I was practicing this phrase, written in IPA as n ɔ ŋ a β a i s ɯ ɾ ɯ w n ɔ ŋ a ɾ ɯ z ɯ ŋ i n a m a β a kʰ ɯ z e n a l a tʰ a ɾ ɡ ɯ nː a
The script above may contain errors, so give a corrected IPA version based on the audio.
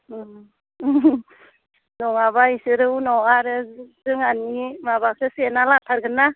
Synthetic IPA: n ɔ ŋ a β a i s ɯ ɾ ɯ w n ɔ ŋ a ɾ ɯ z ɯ ŋ a n i m a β a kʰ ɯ s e n a l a tʰ a ɾ ɡ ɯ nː a